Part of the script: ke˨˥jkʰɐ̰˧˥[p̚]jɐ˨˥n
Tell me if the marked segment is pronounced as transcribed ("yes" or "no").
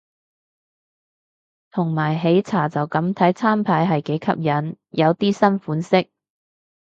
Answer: yes